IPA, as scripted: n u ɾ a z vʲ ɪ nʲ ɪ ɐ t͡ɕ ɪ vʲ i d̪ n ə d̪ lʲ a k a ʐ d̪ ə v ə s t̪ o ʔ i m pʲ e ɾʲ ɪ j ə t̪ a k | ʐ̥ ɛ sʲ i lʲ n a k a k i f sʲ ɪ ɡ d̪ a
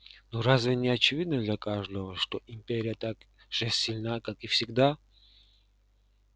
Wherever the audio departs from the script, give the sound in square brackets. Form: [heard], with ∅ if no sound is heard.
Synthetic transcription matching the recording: n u ɾ a z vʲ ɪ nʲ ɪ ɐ t͡ɕ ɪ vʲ i d̪ n ə d̪ lʲ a k a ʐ d̪ ə v ə [ʂ] t̪ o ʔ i m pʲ e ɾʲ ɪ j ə t̪ a k | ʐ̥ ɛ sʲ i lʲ n a k a k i f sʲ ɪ ɡ d̪ a